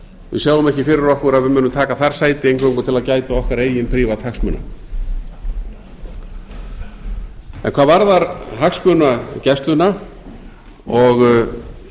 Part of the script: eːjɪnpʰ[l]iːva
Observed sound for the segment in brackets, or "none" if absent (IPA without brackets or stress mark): ɾ